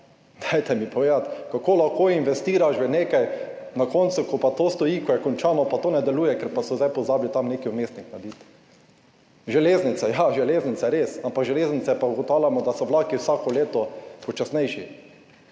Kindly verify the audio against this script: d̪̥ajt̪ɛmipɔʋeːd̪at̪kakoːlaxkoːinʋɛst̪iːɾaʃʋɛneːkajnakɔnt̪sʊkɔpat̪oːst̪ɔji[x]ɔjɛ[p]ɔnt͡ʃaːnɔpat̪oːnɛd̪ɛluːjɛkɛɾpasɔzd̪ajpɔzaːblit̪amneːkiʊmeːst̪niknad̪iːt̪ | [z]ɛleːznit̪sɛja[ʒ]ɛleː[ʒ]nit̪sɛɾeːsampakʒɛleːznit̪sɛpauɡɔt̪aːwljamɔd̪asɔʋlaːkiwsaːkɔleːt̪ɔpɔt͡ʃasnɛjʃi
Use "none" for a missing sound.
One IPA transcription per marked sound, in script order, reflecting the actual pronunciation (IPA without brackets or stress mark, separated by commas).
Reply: k, k, ʒ, ʒ, z